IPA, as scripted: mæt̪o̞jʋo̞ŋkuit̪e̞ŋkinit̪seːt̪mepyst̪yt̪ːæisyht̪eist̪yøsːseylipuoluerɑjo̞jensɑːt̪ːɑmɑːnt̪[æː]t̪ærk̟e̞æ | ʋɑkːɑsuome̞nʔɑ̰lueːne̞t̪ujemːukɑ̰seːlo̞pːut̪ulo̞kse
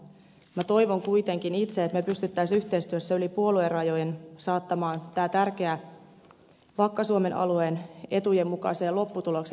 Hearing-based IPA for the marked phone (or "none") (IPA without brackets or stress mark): æː